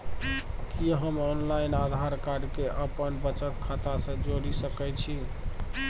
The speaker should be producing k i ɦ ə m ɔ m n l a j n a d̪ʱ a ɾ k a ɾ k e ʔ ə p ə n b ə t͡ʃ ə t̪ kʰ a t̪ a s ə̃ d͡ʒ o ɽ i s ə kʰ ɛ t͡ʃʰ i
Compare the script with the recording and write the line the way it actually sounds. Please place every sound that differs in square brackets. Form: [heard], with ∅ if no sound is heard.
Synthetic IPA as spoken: k i ɦ ə m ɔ [∅] n l a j n a d̪ʱ a ɾ k a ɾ k e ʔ ə p ə n b ə t͡ʃ ə t̪ kʰ a t̪ a s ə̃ d͡ʒ o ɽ i s ə [k] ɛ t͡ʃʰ i